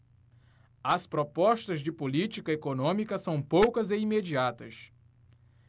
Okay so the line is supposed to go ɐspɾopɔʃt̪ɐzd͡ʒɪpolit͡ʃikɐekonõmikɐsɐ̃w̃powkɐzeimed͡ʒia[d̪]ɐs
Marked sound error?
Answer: yes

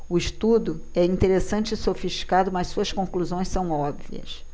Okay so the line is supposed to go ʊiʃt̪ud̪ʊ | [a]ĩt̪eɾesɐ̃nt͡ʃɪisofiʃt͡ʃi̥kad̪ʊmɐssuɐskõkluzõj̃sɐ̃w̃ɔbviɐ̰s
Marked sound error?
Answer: yes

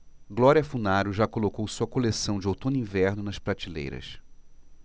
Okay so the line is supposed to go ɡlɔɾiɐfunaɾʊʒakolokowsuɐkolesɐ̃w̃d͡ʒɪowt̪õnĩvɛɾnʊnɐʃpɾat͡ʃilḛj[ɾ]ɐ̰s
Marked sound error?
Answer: no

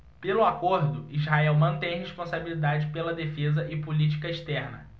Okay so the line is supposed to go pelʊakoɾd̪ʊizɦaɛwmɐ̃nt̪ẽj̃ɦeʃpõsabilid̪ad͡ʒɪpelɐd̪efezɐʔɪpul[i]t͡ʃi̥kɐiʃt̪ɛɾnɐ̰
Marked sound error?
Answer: no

